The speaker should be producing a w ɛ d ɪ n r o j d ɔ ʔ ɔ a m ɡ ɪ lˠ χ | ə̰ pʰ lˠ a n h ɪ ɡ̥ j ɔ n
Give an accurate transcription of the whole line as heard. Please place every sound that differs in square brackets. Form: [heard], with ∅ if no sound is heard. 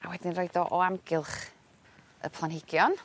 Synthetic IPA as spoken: a w ɛ d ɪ n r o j d ɔ ʔ ɔ a m ɡ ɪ lˠ χ | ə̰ pʰ lˠ a n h ɪ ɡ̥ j ɔ n